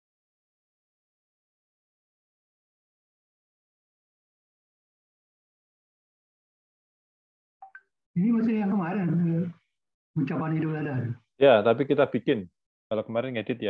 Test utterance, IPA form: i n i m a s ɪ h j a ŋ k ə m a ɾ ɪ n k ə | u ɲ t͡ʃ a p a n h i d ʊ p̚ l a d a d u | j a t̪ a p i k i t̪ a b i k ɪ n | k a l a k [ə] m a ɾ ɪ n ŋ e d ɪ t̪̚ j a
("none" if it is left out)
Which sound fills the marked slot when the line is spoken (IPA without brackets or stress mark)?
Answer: ə